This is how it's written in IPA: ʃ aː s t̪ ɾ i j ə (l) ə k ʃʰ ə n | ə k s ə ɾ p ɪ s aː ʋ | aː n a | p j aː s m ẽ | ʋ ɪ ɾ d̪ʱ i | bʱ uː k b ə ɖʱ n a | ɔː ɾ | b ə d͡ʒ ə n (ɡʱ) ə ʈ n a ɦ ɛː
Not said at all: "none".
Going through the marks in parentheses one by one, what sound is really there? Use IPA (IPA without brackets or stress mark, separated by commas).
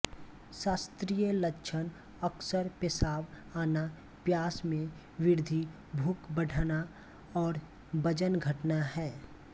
l, ɡʱ